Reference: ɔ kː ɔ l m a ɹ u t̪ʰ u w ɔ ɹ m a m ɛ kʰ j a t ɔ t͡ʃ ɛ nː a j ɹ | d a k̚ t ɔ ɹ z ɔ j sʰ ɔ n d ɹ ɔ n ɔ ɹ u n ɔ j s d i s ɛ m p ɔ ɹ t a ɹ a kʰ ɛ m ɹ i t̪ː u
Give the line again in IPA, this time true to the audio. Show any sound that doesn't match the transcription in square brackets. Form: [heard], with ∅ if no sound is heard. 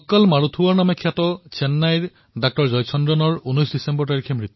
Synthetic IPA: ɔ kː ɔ l m a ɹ u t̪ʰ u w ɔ ɹ [n] a m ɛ kʰ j a t ɔ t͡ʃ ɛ nː a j ɹ | d a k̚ t ɔ ɹ z ɔ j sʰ ɔ n d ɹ ɔ n ɔ ɹ u n ɔ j s d i s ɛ m [b] ɔ ɹ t a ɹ [i] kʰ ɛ m ɹ i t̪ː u